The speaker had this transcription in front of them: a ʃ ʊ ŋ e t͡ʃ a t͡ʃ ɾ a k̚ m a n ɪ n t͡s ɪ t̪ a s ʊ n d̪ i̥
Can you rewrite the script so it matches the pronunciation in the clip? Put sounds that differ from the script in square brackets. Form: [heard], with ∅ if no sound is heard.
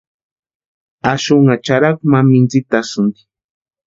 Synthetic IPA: a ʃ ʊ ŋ [a] t͡ʃ a [∅] ɾ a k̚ m a [m] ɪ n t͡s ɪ t̪ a s ʊ n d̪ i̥